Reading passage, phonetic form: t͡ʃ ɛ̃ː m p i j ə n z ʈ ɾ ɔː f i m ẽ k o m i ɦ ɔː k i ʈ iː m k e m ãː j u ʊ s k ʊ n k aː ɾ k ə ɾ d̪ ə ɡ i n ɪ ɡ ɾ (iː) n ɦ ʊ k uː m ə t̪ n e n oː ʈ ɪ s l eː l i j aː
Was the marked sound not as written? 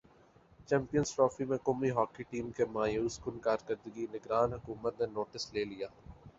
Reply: yes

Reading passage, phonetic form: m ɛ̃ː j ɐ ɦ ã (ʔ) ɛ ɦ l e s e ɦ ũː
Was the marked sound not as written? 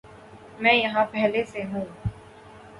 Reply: yes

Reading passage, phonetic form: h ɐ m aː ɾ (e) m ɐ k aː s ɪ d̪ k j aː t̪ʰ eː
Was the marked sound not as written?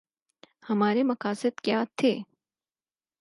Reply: no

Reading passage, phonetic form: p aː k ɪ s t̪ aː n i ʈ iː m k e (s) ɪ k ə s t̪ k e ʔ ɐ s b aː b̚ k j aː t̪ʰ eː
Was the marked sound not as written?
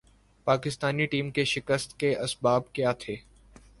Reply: yes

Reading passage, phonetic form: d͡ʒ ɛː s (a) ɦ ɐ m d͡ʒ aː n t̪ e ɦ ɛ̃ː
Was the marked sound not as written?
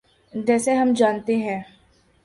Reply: yes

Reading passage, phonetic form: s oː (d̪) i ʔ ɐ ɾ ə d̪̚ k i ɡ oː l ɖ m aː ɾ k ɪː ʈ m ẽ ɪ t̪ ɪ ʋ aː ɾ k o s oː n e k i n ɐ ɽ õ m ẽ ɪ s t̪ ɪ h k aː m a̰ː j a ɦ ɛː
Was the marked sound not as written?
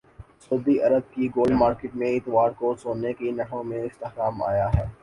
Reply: no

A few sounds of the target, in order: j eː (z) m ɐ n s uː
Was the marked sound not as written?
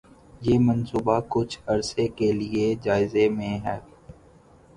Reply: yes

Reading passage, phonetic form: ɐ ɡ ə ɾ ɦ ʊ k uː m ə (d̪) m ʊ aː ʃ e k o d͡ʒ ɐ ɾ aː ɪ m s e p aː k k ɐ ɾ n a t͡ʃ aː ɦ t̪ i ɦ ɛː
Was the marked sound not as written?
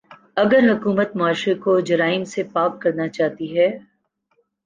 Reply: yes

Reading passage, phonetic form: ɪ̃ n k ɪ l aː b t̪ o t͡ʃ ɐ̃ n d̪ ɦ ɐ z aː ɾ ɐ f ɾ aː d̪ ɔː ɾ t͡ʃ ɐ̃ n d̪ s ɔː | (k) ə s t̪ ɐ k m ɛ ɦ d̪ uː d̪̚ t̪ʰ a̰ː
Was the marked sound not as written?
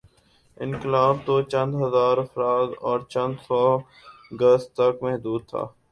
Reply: yes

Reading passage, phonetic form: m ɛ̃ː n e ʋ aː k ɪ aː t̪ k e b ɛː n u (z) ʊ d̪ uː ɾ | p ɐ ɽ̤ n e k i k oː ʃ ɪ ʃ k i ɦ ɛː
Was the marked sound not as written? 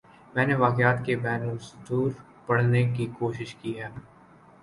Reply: yes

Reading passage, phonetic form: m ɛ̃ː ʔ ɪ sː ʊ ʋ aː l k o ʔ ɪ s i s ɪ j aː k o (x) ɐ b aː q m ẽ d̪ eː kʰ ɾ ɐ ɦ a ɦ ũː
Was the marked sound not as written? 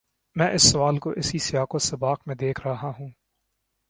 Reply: yes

